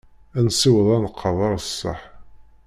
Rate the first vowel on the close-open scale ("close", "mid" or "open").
open